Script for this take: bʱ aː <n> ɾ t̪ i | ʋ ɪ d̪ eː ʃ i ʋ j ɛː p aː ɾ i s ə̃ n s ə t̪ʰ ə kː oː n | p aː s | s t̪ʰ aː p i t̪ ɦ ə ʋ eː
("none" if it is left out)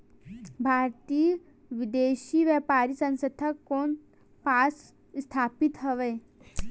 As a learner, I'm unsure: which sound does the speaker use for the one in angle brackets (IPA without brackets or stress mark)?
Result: none